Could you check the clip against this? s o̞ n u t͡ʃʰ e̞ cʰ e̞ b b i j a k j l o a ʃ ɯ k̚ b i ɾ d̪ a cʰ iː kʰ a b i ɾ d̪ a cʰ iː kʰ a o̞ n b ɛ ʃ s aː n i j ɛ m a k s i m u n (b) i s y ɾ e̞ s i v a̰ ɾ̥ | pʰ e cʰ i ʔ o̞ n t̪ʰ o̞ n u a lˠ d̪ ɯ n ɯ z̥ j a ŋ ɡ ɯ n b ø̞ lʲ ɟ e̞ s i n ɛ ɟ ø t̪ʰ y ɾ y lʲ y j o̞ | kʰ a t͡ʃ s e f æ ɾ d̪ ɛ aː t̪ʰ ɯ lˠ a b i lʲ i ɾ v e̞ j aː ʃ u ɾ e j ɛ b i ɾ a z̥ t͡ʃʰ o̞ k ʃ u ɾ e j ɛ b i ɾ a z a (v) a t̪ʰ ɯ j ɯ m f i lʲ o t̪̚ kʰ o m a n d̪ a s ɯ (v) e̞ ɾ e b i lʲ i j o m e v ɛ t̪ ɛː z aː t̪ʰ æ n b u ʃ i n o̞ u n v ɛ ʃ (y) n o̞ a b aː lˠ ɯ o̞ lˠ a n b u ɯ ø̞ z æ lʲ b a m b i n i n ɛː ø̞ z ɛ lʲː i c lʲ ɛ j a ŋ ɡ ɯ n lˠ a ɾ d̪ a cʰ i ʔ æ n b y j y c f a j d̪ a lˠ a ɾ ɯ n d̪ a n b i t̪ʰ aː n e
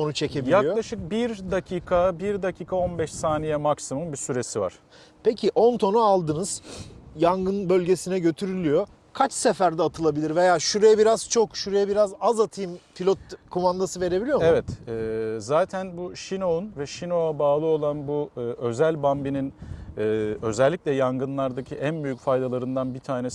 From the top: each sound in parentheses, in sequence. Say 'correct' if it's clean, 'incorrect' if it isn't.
correct, incorrect, correct, incorrect

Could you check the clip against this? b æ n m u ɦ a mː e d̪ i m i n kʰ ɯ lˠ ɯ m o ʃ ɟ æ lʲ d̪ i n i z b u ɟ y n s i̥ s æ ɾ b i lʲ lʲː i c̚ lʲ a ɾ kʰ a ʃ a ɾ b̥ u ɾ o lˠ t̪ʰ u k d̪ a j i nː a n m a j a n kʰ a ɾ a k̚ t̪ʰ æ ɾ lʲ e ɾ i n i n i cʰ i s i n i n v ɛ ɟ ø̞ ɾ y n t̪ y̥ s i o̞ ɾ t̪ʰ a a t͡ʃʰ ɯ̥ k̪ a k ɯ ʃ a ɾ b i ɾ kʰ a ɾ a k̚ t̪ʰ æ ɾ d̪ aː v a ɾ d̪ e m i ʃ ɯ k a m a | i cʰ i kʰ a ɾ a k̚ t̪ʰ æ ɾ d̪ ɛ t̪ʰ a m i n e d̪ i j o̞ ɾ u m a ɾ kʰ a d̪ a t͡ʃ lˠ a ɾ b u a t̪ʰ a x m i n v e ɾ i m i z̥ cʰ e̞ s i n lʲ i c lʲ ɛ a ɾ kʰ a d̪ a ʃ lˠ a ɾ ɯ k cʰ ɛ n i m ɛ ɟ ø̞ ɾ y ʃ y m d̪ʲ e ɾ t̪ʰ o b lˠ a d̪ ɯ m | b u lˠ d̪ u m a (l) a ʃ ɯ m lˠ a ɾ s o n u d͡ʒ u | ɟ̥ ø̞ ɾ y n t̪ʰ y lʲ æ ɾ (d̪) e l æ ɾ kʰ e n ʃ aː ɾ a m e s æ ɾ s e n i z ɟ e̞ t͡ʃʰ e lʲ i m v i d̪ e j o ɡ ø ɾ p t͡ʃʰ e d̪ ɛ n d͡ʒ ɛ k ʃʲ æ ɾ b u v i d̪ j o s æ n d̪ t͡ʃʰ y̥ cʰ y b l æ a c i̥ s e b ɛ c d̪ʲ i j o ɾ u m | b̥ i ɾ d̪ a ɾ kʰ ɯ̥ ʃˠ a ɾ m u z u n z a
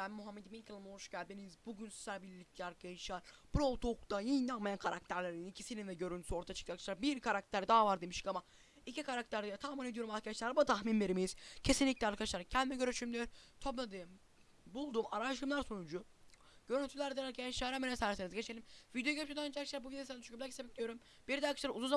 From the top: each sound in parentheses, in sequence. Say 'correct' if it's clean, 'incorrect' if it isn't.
incorrect, correct

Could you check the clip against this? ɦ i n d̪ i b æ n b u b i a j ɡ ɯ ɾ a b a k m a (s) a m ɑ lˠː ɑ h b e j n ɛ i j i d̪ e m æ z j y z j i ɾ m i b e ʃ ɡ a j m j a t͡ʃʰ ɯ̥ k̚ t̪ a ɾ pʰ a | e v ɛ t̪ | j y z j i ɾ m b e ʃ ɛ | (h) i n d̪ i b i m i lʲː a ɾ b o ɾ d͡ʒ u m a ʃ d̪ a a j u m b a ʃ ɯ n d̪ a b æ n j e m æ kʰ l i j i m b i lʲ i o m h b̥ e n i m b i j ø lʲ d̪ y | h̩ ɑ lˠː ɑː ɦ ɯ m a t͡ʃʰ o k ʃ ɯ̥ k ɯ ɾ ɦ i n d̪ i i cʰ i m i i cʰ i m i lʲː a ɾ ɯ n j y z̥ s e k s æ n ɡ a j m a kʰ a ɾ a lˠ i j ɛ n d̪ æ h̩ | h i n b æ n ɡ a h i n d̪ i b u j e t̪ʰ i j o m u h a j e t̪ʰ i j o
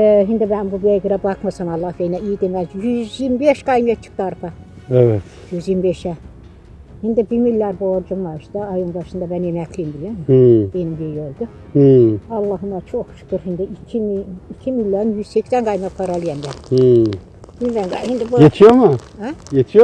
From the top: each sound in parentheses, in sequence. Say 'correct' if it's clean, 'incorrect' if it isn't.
correct, correct

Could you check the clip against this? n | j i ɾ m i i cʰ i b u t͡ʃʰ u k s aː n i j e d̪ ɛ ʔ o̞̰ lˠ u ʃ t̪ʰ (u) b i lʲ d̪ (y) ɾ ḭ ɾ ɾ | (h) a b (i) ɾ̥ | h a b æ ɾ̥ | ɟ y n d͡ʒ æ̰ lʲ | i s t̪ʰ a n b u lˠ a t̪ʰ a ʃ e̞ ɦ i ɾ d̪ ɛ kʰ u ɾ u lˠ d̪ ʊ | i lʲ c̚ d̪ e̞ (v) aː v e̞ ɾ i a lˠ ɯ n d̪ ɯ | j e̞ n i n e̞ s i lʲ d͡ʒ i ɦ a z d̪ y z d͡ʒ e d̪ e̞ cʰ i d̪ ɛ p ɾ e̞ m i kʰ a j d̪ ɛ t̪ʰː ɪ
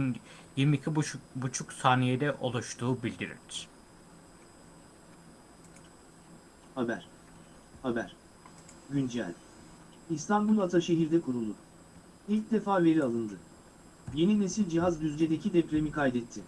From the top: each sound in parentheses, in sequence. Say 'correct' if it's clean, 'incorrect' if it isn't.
incorrect, incorrect, correct, incorrect, incorrect

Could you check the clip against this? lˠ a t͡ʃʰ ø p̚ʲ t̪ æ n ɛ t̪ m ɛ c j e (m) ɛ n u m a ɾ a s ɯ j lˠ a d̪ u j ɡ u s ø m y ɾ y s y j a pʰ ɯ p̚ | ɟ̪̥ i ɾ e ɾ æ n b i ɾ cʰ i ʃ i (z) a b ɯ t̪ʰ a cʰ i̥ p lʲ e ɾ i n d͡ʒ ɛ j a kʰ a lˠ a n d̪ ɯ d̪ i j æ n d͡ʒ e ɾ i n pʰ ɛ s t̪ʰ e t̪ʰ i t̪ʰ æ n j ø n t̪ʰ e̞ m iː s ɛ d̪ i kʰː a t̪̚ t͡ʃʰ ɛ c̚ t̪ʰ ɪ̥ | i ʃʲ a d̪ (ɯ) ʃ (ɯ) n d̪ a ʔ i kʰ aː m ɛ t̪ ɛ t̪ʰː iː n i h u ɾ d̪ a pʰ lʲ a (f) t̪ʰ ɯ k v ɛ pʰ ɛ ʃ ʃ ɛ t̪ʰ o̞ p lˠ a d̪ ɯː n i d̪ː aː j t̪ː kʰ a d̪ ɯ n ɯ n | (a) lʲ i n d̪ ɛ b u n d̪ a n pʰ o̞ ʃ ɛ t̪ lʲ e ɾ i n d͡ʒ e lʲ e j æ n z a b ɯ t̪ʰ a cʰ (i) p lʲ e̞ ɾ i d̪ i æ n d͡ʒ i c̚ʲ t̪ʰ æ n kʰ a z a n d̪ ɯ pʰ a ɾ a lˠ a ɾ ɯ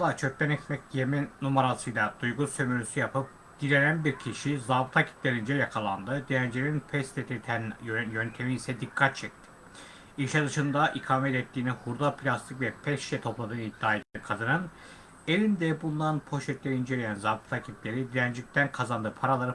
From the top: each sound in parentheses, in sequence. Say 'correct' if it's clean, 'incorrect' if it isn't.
correct, correct, correct, correct, incorrect, incorrect, correct

